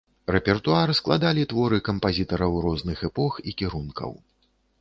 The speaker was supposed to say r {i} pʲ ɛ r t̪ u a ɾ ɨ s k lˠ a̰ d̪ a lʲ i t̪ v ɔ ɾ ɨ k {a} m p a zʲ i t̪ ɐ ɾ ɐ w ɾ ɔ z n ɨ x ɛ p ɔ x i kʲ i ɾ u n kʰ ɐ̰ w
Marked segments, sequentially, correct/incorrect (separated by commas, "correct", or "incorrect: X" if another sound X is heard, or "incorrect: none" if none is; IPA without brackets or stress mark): incorrect: ɛ, incorrect: ɐ